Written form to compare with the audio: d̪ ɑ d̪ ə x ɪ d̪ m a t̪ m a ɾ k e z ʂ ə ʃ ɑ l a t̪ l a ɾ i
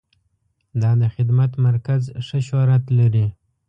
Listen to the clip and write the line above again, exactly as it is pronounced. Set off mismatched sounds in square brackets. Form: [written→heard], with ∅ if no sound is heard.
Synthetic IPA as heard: d̪ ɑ d̪ ə x ɪ d̪ m a t̪ m a ɾ k [e→a] z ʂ ə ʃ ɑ [l→ɾ] a t̪ l a ɾ i